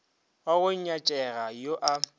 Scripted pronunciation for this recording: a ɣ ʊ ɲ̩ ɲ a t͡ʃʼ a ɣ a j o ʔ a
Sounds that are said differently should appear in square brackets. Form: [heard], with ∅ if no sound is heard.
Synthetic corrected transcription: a ɣ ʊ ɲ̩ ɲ a t͡ʃʼ [ɛ] ɣ a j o ʔ a